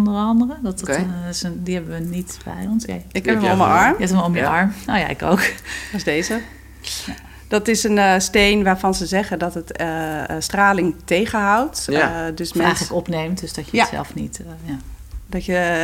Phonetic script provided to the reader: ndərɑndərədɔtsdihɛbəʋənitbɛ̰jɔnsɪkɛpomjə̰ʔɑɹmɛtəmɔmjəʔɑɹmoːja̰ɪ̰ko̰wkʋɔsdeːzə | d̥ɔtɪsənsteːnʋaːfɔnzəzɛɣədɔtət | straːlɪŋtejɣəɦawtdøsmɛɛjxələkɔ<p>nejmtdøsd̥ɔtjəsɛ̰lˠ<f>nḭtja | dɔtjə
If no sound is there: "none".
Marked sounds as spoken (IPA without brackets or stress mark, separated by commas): p, f